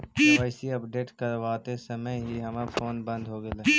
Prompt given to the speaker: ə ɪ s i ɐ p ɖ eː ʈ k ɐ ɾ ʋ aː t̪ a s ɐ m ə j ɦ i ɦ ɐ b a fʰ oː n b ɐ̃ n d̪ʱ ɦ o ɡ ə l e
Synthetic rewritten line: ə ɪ s i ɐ p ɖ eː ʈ k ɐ ɾ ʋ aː t̪ e s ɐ m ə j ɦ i ɦ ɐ m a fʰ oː n b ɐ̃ n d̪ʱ ɦ o ɡ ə l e